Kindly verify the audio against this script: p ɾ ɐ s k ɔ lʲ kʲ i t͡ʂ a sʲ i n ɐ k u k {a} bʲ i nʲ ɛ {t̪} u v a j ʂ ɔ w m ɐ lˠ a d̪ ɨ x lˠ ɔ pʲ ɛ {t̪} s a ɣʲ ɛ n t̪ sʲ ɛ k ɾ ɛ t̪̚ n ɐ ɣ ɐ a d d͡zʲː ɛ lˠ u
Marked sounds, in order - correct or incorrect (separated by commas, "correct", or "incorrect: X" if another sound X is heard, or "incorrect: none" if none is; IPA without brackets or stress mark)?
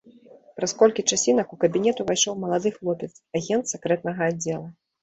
incorrect: ɐ, correct, correct